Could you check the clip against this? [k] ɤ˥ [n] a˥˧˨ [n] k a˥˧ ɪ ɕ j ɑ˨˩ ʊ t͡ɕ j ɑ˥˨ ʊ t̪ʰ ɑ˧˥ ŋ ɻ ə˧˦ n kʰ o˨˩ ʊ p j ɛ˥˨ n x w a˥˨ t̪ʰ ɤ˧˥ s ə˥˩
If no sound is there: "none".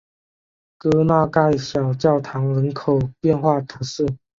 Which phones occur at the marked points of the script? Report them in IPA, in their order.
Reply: k, n, none

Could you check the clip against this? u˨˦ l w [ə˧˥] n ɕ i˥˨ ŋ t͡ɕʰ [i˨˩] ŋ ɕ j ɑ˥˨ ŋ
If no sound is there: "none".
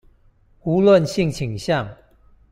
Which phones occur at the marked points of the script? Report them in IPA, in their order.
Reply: ə˥˨, i˨˩

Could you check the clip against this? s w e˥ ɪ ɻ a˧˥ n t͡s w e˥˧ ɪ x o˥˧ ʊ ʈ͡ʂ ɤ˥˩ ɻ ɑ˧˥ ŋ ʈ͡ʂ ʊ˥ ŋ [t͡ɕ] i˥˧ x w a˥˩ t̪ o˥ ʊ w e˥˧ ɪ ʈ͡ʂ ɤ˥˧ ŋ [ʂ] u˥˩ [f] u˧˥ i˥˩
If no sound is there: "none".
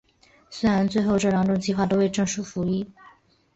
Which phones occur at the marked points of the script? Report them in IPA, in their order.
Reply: t͡ɕ, ʂ, f

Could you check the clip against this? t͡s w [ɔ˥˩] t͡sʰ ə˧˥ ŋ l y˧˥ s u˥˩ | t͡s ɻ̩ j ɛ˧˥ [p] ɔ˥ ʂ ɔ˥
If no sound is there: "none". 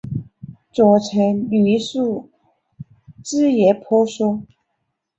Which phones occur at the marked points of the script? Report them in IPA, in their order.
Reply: ɔ˨˩, pʰ

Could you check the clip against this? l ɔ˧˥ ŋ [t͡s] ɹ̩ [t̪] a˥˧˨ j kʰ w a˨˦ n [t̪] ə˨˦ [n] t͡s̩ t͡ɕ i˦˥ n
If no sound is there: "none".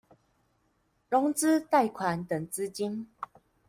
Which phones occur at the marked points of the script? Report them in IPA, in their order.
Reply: t͡s, t̪, t̪, ŋ

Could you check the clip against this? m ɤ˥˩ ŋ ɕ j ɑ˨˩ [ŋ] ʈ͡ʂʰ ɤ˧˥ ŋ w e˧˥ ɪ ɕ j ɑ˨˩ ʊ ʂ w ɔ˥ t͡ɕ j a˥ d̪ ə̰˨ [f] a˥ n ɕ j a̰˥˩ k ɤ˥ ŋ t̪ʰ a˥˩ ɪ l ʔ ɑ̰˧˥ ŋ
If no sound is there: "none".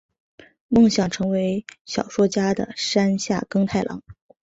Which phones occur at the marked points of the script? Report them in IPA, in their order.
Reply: ŋ, ʂ

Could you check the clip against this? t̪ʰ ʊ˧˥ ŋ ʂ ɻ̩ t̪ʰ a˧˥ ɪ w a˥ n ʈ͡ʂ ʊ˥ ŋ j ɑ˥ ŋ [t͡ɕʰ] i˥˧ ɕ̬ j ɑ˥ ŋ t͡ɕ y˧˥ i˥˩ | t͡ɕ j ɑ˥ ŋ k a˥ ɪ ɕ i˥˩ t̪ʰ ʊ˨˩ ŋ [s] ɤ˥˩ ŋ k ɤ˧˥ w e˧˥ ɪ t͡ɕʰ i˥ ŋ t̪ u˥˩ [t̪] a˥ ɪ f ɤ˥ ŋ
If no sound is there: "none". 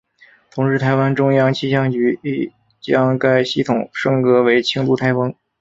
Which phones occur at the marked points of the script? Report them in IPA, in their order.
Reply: t͡ɕʰ, ʂ, t̪ʰ

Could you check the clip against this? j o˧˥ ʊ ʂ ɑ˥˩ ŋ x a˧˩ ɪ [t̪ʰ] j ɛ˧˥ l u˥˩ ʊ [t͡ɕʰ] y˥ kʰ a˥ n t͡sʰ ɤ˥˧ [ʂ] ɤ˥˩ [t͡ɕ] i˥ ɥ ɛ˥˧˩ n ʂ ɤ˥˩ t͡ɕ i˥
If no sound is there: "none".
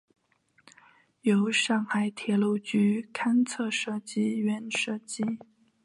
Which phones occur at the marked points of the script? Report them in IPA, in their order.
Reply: t̪ʰ, t͡ɕ, ʂ, t͡ɕ

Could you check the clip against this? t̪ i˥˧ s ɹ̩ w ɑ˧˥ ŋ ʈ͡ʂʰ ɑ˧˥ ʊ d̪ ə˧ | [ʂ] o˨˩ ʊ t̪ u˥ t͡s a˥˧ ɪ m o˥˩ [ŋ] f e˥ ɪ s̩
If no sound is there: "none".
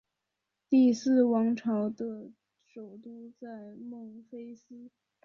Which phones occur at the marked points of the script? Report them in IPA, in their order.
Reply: ʂ, ŋ

